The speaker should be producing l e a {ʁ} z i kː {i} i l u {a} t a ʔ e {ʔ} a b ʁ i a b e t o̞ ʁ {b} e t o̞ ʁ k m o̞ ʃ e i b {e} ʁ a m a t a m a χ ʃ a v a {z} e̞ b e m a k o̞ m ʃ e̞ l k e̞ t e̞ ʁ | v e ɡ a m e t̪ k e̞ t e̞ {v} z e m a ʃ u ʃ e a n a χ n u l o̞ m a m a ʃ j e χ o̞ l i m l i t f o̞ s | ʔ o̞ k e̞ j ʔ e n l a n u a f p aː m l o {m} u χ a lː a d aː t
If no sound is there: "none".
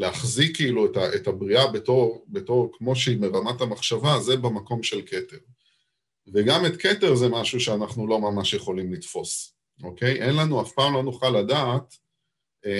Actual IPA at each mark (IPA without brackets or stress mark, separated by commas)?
χ, i, e, t, b, e, z, ʁ, n